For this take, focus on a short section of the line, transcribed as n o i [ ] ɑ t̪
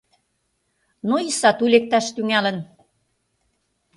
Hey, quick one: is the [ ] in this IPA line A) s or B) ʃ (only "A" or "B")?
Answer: A